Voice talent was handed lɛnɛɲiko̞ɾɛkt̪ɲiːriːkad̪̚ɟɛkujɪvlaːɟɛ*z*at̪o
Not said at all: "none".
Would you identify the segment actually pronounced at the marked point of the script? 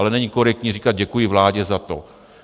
z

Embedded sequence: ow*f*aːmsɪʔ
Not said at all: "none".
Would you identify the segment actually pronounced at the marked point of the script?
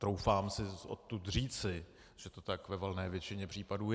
f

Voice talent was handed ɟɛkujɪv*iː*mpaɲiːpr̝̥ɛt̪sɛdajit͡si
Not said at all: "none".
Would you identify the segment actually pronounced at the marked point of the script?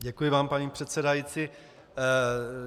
aː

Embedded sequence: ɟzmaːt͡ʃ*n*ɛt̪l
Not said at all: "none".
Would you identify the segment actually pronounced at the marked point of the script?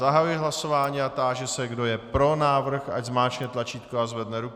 ɲ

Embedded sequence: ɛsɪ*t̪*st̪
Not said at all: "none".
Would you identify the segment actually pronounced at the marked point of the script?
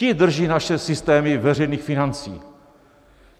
none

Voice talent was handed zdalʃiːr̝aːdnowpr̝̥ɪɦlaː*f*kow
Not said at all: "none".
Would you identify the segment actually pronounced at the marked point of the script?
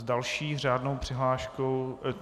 ʃ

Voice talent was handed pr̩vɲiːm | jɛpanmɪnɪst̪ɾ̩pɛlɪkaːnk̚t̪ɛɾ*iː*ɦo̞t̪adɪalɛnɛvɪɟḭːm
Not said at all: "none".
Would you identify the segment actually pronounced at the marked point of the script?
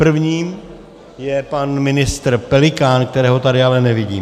ɛː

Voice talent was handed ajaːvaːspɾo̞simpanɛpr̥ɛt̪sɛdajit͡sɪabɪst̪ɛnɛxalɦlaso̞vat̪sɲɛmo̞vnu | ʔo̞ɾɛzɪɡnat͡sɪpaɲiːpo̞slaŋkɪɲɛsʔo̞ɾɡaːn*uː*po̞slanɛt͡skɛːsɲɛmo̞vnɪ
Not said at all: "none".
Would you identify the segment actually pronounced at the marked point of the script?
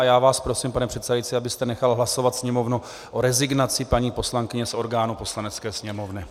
u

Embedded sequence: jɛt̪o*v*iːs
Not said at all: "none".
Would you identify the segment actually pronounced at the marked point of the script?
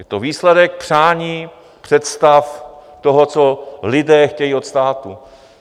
v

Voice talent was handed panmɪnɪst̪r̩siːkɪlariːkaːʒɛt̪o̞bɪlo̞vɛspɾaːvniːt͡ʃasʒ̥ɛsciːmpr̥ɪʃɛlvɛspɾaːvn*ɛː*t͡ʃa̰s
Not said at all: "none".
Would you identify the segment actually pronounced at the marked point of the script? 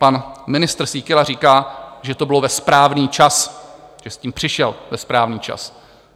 iː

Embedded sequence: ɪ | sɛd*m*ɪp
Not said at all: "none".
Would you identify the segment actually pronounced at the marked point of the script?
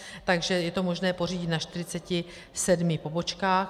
m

